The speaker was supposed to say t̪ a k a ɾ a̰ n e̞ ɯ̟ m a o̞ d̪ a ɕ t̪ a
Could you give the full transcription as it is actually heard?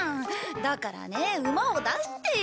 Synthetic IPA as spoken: d̪ a k a ɾ a̰ n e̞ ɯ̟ m a o̞ d̪ a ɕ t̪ e